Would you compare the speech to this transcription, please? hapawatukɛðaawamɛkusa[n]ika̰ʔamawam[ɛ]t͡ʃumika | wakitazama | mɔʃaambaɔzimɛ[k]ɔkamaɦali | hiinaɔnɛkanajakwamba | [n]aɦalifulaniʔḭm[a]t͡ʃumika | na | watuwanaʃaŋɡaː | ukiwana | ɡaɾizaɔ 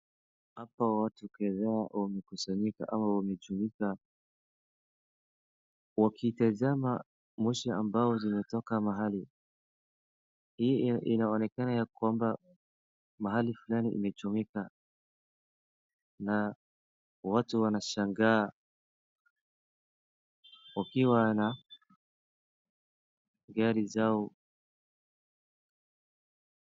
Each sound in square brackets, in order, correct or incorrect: incorrect: ɲ, correct, incorrect: t, incorrect: m, incorrect: ɛ

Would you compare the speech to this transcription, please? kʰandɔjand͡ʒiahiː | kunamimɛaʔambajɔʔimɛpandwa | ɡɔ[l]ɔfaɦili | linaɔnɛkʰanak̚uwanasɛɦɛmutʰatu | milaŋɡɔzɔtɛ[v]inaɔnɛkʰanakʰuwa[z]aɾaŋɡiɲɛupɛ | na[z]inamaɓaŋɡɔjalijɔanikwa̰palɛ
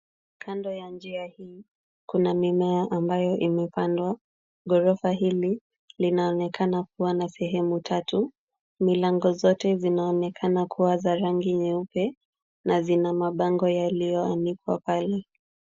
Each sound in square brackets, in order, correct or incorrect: incorrect: ɾ, incorrect: z, correct, correct

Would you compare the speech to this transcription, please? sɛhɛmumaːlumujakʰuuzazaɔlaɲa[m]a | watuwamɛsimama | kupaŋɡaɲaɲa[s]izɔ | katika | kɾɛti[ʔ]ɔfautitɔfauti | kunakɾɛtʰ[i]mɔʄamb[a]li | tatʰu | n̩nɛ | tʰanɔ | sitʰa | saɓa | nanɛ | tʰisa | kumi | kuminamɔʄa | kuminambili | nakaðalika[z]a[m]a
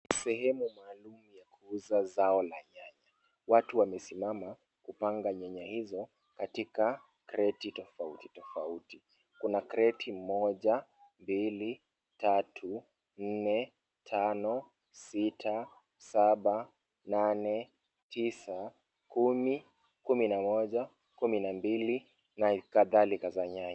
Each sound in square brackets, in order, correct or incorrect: incorrect: ɲ, incorrect: h, incorrect: t, correct, incorrect: i, correct, incorrect: ɲ

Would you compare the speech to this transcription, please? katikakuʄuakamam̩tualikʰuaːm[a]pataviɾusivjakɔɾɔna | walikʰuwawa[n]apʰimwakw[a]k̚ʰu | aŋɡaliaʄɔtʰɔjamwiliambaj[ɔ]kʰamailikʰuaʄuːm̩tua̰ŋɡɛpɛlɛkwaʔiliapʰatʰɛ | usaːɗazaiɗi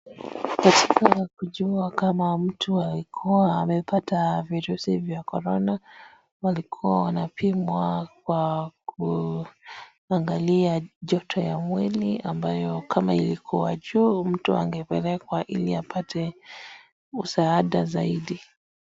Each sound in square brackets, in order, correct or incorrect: incorrect: ɛ, correct, correct, correct

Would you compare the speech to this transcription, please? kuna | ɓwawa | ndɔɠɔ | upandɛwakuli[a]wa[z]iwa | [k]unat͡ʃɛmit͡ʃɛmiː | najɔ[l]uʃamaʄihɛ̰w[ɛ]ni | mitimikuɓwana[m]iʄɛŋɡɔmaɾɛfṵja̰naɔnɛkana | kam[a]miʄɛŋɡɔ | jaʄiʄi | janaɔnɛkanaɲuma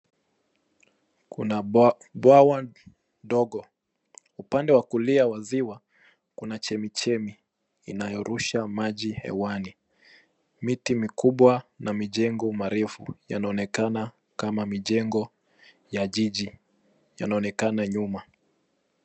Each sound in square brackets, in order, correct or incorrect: correct, correct, correct, incorrect: ɾ, incorrect: a, correct, correct

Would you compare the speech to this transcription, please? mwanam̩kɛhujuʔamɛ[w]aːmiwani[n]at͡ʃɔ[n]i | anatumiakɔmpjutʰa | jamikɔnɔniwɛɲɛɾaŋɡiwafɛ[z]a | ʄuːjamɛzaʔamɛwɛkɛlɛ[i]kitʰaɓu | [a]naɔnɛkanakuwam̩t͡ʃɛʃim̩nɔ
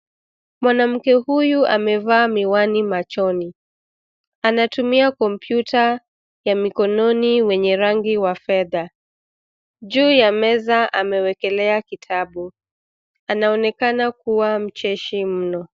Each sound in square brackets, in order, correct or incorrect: incorrect: v, incorrect: m, correct, incorrect: ð, incorrect: a, correct

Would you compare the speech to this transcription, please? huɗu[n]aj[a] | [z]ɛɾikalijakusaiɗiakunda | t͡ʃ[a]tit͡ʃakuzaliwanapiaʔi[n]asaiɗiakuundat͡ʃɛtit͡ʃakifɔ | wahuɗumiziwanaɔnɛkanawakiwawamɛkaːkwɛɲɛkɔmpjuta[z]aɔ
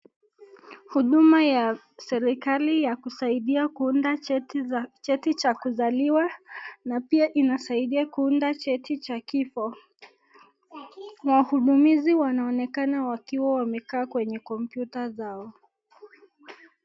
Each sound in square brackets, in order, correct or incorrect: incorrect: m, correct, incorrect: s, incorrect: ɛ, correct, correct

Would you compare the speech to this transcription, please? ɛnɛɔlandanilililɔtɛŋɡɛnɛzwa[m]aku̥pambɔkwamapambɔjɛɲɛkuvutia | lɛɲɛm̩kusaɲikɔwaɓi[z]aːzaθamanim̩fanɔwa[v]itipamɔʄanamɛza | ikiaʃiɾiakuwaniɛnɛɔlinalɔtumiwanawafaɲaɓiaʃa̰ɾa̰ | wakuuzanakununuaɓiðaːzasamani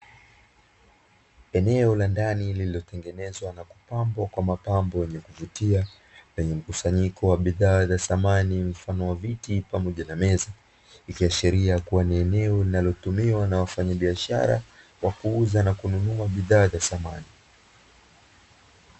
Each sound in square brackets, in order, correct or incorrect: incorrect: n, incorrect: ð, correct

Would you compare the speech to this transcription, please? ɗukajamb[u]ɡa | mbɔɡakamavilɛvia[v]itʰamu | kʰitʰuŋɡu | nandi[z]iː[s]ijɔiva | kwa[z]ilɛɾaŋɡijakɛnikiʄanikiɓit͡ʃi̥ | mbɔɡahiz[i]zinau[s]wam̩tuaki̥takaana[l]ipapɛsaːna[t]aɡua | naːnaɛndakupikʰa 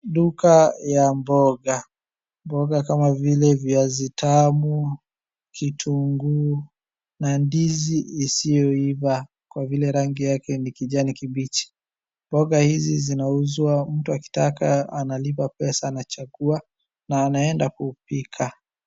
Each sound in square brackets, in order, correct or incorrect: incorrect: ɔ, incorrect: z, correct, correct, incorrect: v, correct, incorrect: z, correct, incorrect: t͡ʃ

